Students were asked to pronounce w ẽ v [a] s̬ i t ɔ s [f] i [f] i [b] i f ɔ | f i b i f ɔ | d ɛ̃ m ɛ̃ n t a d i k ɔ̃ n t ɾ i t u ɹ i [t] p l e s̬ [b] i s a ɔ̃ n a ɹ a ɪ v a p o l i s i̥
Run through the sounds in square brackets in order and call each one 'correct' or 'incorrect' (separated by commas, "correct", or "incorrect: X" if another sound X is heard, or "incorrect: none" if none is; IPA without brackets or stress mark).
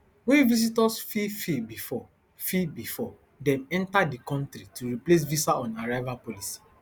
incorrect: i, correct, correct, correct, incorrect: none, incorrect: v